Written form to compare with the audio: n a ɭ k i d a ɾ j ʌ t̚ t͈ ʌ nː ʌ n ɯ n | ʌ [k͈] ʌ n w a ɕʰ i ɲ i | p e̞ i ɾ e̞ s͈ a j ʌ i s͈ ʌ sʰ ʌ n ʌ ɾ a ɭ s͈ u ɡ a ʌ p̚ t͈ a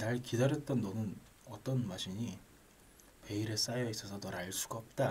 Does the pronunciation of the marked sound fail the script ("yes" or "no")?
yes